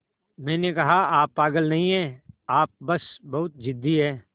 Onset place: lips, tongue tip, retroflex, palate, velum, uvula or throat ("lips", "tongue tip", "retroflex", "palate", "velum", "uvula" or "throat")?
lips